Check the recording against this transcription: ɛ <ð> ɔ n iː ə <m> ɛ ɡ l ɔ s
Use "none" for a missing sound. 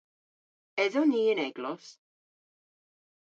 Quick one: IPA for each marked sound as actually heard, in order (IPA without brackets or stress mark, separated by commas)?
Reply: ð, n